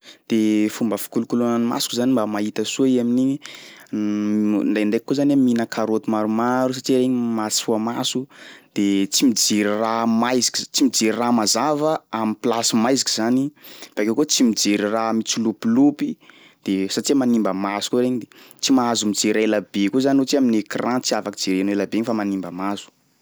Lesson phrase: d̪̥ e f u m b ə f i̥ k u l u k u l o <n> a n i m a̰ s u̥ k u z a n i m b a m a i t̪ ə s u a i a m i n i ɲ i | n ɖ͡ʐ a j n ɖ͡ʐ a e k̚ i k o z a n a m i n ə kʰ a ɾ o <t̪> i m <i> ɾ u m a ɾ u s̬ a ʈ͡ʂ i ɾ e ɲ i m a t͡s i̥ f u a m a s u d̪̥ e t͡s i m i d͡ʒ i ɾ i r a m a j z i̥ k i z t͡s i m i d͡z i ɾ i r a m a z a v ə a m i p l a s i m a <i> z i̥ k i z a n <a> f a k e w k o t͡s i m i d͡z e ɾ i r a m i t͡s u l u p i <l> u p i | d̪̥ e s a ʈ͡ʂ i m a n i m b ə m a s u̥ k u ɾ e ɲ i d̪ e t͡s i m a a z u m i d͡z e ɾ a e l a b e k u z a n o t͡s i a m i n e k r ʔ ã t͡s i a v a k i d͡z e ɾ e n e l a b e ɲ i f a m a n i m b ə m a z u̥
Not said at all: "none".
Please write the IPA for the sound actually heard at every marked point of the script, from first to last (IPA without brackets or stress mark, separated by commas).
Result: n, t̪, a, j, i, l